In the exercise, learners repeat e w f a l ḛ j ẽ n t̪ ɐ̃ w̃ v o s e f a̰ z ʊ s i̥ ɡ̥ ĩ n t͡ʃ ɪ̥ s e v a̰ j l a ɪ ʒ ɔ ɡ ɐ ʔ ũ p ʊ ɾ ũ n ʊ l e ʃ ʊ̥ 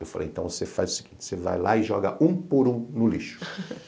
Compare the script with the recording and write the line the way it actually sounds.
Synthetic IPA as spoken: e w f a l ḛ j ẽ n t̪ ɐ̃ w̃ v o s e f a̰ z ʊ s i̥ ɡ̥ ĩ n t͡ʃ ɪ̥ s e v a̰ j l a ɪ ʒ ɔ ɡ ɐ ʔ ũ p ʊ ɾ ũ n ʊ l i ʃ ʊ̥

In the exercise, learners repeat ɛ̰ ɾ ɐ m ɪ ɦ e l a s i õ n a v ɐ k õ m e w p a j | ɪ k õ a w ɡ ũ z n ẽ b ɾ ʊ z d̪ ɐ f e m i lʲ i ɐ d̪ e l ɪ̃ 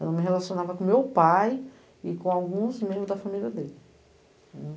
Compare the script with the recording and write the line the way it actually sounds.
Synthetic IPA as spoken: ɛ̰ l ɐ m ɪ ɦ e l a s i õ n a v ɐ k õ m e w p a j | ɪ k õ a w ɡ ũ z m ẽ b ɾ ʊ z d̪ ɐ f a m i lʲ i ɐ d̪ e l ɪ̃

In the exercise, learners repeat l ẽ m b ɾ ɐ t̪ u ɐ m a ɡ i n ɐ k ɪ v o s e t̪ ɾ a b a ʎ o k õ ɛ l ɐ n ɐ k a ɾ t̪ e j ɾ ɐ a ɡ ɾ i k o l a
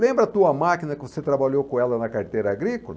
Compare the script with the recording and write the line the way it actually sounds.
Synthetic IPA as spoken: l ẽ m b ɾ ɐ t̪ u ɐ m a k i n ɐ k ɪ v o s e t̪ ɾ a b a ʎ o k õ ɛ l ɐ n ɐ k a ɾ t̪ e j ɾ ɐ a ɡ ɾ i k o l ɐ

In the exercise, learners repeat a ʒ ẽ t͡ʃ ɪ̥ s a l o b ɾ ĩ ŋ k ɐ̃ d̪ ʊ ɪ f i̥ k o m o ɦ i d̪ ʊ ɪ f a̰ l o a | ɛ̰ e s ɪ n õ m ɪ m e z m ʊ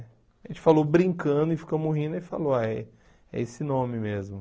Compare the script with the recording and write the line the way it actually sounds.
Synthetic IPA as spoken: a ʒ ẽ t͡ʃ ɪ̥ f a l o b ɾ ĩ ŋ k ɐ̃ d̪ ʊ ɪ f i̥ k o m o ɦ ĩ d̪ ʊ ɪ f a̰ l o a | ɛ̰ e s ɪ n õ m ɪ m e z m ʊ

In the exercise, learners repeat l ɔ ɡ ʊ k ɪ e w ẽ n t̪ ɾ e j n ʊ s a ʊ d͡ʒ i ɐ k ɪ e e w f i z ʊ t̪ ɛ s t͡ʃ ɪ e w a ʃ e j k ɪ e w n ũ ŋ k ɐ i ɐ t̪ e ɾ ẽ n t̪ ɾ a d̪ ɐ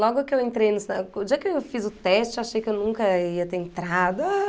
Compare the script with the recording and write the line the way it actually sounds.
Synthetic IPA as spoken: l ɔ ɡ ʊ k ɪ e w ẽ n t̪ ɾ e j n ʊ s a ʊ d͡ʒ i ɐ k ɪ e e w f i z ʊ t̪ ɛ s t͡ʃ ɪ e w a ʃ e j k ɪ e w n ũ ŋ k ɐ i ɐ t̪ e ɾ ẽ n t̪ ɾ a d̪ ɐ

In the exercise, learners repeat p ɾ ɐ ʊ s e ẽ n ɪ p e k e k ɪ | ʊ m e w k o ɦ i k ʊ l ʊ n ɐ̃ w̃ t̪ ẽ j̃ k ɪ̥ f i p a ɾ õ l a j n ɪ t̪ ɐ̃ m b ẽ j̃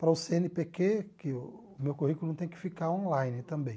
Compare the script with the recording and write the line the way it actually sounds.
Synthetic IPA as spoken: p ɾ ɐ ʊ s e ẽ n ɪ p e k e k ɪ | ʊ m e w k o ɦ i k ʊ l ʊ n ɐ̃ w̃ t̪ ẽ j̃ k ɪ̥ f i k a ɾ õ l a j n ɪ t̪ ɐ̃ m b ẽ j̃

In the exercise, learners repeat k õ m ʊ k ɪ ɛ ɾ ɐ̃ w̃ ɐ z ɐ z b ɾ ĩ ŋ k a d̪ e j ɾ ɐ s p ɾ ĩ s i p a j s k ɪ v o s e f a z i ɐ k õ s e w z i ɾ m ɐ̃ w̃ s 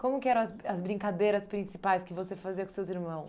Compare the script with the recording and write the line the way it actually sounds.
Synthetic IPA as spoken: k õ m ʊ k ɪ ɛ ɾ ɐ̃ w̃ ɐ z ɐ z b ɾ ĩ ŋ k a d̪ e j ɾ ɐ s p ɾ ĩ s i p a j s k ɪ v o s e f a z i ɐ k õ s e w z i ɾ m ɐ̃ w̃ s

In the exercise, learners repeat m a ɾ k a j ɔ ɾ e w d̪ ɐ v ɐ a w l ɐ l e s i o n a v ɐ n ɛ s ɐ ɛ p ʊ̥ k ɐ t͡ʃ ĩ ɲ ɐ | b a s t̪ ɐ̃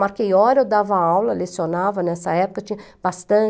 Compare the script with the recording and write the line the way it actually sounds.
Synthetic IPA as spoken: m a ɾ k e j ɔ ɾ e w d̪ a v ɐ a w l ɐ l e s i o n a v ɐ n ɛ s ɐ ɛ p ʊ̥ k ɐ t͡ʃ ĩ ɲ ɐ | b a s t̪ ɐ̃

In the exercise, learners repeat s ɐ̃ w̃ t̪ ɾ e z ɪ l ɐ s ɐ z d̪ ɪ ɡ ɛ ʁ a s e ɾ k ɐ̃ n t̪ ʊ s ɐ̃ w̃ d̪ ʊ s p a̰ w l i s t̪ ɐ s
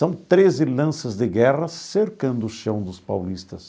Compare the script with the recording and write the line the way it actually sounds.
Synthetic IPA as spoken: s ɐ̃ w̃ t̪ ɾ e z ɪ l ɐ̃ s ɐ z d̪ ɪ ɡ ɛ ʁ ɐ s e ɾ k ɐ̃ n d̪ ʊ ʃ ɐ̃ w̃ d̪ ʊ s p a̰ w l i s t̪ ɐ s

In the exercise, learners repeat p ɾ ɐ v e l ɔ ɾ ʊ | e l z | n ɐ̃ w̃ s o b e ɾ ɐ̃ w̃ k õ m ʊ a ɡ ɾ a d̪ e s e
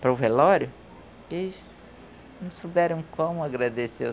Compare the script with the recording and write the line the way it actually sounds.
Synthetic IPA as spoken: p ɾ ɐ v e l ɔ ɾ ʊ | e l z | n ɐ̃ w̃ s o b ɛ ɾ ɐ̃ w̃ k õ m ʊ a ɡ ɾ a d̪ e s e

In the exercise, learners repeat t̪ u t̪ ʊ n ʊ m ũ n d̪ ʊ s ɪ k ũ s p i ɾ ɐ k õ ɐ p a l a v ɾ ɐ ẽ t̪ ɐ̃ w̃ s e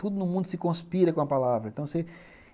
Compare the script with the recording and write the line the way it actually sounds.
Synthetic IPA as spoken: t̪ u d̪ ʊ n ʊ m ũ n d̪ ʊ s ɪ k õ s p i ɾ ɐ k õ ɐ p a l a v ɾ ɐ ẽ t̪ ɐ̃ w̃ s e

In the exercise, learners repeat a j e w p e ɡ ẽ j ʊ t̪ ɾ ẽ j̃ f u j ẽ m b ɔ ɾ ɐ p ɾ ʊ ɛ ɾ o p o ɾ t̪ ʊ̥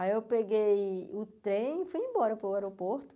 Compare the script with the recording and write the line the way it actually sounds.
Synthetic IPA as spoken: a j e w p e ɡ e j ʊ t̪ ɾ ẽ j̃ f u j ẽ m b ɔ ɾ ɐ p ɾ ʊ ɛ ɾ o p o ɾ t̪ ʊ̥

